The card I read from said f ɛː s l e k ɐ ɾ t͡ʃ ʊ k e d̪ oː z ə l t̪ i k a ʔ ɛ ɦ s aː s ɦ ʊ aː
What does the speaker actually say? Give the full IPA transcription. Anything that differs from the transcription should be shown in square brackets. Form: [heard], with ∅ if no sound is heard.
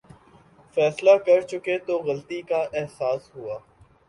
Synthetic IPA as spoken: f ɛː s l [a] k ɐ ɾ t͡ʃ ʊ k e [t̪] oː [ɣ] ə l t̪ i k a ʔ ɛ ɦ s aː s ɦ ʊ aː